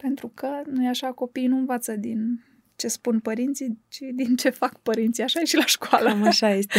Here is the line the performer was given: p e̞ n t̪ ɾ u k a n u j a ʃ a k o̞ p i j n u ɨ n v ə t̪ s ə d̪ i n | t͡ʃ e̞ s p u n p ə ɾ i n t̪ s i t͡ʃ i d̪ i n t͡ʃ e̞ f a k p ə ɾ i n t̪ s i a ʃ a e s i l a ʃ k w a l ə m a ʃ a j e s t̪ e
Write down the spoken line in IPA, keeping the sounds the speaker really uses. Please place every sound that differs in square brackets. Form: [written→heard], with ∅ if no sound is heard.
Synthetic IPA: p e̞ n t̪ ɾ u k [a→ə] n u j a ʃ a k o̞ p i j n u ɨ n v [ə→a] t̪ s ə d̪ i n | t͡ʃ e̞ s p u n p ə ɾ i n t̪ s i t͡ʃ i d̪ i n t͡ʃ e̞ f a k p ə ɾ i n t̪ s i a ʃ a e [s→ʃ] i l a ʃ k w a l ə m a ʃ a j e s t̪ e